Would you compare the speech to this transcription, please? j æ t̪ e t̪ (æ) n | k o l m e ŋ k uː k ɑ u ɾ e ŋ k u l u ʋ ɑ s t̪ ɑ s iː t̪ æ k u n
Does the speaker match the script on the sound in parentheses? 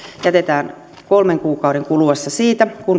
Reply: no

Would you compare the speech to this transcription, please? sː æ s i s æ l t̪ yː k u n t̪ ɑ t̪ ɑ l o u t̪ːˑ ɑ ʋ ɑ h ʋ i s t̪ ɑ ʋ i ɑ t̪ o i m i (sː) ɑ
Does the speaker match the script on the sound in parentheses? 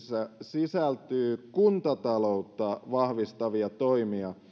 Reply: no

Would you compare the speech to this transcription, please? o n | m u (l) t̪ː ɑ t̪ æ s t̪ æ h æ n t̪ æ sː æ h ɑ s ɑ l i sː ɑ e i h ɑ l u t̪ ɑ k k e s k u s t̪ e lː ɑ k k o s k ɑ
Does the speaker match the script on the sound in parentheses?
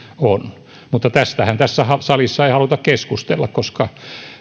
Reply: no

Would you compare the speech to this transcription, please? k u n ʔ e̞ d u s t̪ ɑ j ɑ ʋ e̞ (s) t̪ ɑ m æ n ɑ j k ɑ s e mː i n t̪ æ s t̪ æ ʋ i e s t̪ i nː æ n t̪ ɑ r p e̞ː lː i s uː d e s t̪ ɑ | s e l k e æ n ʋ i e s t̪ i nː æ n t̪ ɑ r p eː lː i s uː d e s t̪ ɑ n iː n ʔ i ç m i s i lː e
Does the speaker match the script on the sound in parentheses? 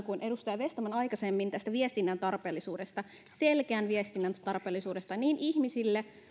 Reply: yes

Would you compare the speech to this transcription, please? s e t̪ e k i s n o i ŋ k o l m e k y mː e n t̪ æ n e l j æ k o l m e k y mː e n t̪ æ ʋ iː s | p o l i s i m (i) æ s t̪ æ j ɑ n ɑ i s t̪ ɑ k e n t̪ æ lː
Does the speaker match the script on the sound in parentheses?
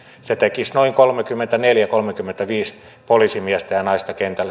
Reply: yes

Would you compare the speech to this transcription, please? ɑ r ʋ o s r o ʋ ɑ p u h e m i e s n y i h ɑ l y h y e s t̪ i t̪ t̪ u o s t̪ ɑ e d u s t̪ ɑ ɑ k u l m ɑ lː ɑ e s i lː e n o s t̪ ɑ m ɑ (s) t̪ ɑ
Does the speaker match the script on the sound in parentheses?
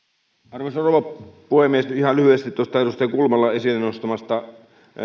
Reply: yes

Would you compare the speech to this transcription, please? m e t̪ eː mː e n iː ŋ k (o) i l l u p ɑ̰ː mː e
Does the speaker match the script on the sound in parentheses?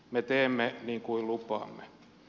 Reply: no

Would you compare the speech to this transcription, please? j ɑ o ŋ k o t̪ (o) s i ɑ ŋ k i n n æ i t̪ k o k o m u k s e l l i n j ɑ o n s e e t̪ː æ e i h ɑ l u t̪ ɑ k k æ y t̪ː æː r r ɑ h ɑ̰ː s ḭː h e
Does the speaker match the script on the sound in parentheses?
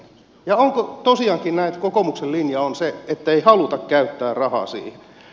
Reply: yes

